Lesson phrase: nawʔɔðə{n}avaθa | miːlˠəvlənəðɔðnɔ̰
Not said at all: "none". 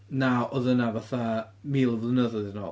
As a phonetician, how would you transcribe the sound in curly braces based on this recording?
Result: n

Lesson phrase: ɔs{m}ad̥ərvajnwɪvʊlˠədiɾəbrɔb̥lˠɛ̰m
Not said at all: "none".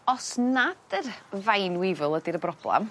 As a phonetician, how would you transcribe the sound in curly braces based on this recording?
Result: n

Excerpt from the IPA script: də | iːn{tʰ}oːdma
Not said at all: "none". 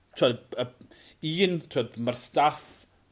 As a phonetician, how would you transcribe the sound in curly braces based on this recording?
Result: tʰ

